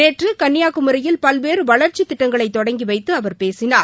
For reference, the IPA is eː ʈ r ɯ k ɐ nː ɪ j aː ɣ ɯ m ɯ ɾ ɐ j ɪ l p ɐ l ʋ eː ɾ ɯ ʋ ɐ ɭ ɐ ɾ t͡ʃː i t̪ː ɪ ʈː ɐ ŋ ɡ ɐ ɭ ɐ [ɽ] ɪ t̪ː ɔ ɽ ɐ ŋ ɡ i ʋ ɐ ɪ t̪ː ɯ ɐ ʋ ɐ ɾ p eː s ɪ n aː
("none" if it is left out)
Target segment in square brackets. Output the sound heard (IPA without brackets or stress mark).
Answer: none